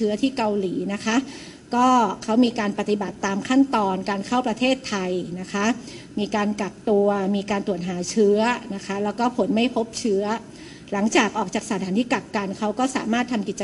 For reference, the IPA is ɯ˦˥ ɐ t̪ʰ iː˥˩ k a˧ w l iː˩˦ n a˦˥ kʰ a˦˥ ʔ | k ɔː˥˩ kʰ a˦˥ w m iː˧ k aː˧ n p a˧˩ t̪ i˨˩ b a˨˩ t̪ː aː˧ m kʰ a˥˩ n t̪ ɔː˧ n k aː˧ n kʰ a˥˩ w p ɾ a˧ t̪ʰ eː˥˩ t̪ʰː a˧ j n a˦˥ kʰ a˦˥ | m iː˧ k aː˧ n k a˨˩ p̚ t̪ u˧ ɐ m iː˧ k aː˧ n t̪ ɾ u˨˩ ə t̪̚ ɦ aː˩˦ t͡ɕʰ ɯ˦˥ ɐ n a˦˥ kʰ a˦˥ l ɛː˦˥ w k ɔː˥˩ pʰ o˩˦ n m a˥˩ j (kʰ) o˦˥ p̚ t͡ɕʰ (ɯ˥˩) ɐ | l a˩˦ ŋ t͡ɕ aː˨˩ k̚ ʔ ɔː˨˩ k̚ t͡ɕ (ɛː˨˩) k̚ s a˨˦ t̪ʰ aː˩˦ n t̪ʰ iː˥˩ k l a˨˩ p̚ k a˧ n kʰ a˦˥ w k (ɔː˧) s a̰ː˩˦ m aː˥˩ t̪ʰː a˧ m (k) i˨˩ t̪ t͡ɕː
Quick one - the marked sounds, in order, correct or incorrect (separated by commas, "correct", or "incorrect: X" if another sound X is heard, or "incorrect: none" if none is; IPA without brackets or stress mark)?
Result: incorrect: pʰ, incorrect: ɯ˦˥, incorrect: aː˨˩, incorrect: ɔː˥˩, correct